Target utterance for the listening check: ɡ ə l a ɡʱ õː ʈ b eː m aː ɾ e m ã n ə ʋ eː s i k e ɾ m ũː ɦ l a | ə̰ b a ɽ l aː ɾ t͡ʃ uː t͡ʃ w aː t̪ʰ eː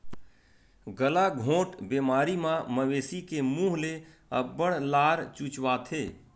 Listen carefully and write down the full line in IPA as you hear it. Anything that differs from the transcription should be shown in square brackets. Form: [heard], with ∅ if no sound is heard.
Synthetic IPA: ɡ ə l a ɡʱ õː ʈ b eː m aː ɾ [i] m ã [m] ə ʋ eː s i k e [∅] m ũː ɦ l [e] | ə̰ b [ə] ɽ l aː ɾ t͡ʃ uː t͡ʃ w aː t̪ʰ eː